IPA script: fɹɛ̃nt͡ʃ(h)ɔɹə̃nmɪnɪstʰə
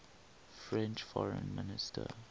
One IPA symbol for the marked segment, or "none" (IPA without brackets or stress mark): f